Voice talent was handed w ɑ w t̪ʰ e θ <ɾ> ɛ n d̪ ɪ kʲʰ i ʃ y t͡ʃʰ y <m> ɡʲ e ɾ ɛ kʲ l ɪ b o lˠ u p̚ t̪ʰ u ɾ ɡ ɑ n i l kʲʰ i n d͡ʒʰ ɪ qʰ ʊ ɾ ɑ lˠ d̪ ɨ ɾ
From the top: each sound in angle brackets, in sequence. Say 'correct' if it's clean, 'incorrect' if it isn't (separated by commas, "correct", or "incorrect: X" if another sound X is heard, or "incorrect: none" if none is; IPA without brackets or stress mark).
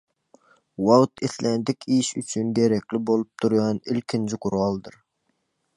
incorrect: l, incorrect: n